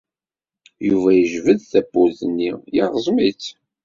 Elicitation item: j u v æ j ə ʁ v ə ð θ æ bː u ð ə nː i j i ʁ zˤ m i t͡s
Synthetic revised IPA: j u v æ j ə ʒ v ə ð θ æ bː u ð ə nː i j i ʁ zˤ m i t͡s